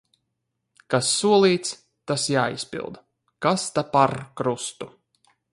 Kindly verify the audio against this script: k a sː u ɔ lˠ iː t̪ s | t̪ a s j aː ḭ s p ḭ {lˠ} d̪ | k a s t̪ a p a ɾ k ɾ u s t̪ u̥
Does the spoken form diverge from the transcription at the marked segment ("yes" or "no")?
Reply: no